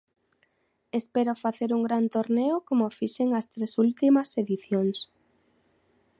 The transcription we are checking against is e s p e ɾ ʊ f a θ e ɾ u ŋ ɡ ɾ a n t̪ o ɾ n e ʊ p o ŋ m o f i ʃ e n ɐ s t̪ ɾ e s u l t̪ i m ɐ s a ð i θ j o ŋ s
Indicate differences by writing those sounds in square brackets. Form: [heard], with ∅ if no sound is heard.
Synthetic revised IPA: e s p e ɾ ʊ f a θ e ɾ u ŋ ɡ ɾ a n t̪ o ɾ n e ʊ [k] o [∅] m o f i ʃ e [ŋ] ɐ s t̪ ɾ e s u l t̪ i m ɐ s [e] ð i θ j o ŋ s

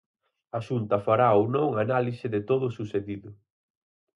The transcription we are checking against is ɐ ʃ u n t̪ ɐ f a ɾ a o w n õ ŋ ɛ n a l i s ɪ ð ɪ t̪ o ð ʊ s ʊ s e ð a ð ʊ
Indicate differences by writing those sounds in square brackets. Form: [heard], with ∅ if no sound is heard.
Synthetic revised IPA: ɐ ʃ u n t̪ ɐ f a ɾ a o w n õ ŋ [a] n a l i s ɪ ð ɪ t̪ o ð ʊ s [u] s e ð [i] ð ʊ

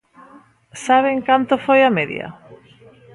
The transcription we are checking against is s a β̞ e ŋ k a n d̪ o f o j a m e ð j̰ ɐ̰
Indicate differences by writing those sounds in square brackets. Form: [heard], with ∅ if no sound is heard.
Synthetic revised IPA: s a β̞ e ŋ k a n [t̪] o f o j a m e ð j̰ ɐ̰

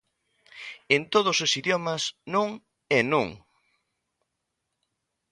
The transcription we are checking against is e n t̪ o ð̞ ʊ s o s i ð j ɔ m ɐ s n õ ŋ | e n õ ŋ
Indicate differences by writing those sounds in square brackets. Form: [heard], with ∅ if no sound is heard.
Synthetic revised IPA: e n t̪ o ð̞ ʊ s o s i ð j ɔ m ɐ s n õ ŋ | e n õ ŋ

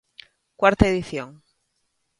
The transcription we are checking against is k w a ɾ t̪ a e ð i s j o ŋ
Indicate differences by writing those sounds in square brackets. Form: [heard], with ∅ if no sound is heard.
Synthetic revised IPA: k w a ɾ t̪ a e ð i [θ] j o ŋ

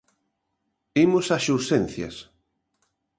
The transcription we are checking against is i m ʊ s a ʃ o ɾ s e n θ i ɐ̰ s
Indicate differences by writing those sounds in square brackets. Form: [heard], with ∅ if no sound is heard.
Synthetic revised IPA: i m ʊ s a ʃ [u] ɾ s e n θ [j] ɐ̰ s

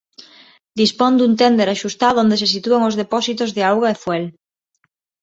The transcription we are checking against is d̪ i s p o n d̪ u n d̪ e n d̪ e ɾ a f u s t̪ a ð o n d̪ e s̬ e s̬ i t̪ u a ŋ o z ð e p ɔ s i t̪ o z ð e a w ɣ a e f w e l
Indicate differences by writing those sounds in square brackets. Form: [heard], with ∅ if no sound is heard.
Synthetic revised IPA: d̪ i s p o n d̪ u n [t̪] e n d̪ e ɾ a [ʃ] u s t̪ a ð o n d̪ e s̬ e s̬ i t̪ u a ŋ o z ð e p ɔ s i t̪ o z ð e a w ɣ a e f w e l

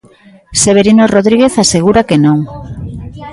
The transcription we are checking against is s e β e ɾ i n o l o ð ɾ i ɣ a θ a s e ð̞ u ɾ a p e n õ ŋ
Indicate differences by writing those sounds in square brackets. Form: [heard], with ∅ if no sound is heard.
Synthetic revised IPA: s e β e ɾ i n o [r] o ð ɾ i ɣ [e] θ a s e [ɣ̞] u ɾ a [k] e n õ ŋ

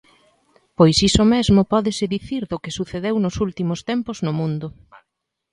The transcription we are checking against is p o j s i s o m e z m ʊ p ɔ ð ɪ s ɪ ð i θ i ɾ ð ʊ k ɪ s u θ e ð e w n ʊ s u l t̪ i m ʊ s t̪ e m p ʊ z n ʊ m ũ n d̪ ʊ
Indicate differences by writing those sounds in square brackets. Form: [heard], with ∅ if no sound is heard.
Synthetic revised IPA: p o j s i s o m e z m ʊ p ɔ ð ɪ s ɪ ð i θ i ɾ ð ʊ k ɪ s u θ e ð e w n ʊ s u l t̪ i m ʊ s t̪ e m p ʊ z n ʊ m ũ n d̪ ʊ

